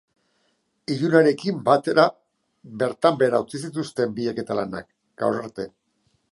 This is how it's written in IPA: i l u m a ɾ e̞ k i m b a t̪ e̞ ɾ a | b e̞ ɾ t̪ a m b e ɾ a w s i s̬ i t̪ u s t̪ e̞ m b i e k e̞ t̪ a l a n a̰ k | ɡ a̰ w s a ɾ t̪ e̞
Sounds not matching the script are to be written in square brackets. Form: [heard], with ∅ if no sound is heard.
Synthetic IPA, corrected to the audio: i [ʎ] u [n] a ɾ e̞ k i m b a t̪ e̞ ɾ a | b e̞ ɾ t̪ a m b e ɾ a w [t͡s] i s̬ i t̪ u s t̪ e̞ m b i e k e̞ t̪ a l a n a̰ k | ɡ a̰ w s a ɾ t̪ e̞